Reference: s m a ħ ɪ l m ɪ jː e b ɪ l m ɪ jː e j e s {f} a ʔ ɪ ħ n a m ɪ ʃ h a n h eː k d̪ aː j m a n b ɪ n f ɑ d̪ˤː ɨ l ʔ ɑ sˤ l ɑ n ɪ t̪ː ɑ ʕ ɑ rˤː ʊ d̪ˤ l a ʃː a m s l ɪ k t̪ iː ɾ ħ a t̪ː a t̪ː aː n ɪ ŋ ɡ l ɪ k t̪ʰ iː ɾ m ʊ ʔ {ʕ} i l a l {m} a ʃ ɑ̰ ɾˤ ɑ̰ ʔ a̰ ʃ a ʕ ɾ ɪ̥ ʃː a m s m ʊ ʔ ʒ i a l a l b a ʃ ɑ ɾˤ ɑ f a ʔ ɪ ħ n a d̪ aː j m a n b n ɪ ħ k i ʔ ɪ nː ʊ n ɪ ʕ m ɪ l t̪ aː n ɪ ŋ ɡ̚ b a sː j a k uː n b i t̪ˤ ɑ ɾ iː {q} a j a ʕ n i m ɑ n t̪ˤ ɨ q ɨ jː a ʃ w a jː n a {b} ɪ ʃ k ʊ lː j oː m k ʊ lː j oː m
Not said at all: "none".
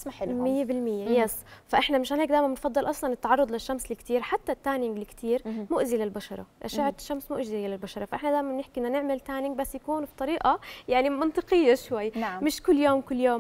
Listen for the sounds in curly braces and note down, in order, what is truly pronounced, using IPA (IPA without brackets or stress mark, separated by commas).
f, z, b, ʔ, m